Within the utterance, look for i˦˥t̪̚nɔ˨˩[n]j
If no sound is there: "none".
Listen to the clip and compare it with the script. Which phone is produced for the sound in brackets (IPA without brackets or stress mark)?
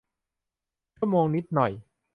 none